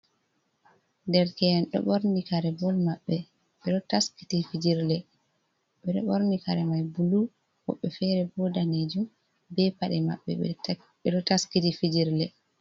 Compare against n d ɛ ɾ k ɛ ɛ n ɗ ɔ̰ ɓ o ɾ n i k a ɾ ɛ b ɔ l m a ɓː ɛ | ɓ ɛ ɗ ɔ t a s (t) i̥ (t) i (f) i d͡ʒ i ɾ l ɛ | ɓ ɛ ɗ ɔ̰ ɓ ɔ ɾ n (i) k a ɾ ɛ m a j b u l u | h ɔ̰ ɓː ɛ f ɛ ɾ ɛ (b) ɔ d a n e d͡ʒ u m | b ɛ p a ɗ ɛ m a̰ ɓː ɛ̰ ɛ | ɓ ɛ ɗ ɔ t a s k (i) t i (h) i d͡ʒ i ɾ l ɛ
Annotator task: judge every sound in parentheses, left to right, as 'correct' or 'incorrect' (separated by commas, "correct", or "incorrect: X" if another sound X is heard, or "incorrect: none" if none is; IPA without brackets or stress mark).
incorrect: k, correct, correct, correct, correct, correct, incorrect: f